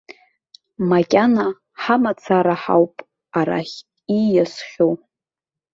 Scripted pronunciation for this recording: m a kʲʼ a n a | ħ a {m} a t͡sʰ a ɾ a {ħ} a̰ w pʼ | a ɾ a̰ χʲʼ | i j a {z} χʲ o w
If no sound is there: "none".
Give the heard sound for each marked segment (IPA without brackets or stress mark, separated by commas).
m, ħ, s